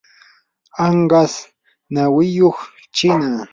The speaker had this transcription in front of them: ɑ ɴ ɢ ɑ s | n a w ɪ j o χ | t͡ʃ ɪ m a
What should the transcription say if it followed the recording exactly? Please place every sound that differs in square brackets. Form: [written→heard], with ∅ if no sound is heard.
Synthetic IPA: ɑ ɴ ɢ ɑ s | n a w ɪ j o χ | t͡ʃ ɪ [m→n] a

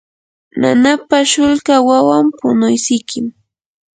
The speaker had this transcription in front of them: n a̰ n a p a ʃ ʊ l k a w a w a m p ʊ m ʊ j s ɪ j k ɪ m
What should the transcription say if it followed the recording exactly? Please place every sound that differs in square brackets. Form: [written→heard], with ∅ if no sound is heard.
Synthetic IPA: n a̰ n a p a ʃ ʊ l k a w a w a m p ʊ [m→n] ʊ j s ɪ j k ɪ m

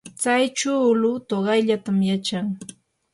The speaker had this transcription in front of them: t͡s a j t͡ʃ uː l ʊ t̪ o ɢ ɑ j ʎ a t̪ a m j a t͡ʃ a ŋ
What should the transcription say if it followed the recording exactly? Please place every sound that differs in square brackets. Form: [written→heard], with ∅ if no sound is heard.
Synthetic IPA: t͡s a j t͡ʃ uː l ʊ t̪ o ɢ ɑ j ʎ a t̪ a m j a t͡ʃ a ŋ

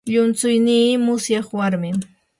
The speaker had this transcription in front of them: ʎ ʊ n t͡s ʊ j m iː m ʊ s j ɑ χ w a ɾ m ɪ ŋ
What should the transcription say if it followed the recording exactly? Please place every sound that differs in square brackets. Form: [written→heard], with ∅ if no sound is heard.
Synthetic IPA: ʎ ʊ n t͡s ʊ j [m→n] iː m ʊ s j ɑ χ w a ɾ m ɪ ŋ

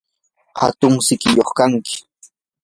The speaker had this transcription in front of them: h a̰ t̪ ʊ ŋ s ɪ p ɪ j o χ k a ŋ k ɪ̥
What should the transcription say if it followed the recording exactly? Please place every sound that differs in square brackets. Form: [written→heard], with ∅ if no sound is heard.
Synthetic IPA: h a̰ t̪ ʊ ŋ s ɪ [p→k] ɪ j o χ k a ŋ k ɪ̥

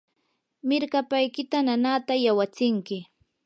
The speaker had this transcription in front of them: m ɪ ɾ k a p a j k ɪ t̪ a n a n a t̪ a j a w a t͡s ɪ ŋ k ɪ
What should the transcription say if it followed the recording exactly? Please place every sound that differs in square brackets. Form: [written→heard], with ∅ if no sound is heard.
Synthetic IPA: m ɪ ɾ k a p a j k ɪ t̪ a n a n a t̪ a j a w a t͡s ɪ ŋ k ɪ

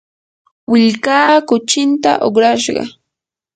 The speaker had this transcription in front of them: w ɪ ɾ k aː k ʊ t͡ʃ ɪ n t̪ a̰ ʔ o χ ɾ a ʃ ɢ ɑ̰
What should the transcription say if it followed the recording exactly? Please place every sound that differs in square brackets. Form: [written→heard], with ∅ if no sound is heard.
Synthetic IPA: w ɪ [ɾ→ʎ] k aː k ʊ t͡ʃ ɪ n t̪ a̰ ʔ o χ ɾ a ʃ ɢ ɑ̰

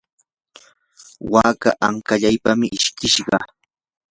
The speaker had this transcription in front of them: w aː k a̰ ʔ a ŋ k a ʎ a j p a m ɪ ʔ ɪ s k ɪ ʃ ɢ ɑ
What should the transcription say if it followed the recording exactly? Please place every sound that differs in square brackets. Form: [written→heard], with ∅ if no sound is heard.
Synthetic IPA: w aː k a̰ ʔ a ŋ k a ʎ a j p a m ɪ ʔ ɪ [s→ʃ] k ɪ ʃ ɢ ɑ

